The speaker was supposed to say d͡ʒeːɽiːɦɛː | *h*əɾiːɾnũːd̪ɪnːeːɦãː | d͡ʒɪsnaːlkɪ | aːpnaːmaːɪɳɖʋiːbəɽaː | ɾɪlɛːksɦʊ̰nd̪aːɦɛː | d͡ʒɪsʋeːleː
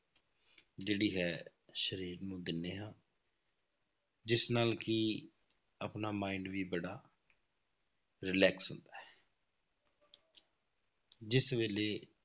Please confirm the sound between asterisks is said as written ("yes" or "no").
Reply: no